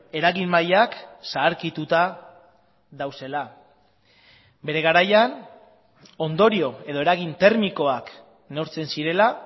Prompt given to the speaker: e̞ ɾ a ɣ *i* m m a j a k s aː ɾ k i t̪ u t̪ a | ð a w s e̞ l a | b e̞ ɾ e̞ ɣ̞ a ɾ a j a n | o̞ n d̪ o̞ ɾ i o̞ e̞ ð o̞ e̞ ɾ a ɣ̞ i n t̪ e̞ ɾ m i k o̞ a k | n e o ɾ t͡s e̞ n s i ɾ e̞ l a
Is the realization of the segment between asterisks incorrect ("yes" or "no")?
no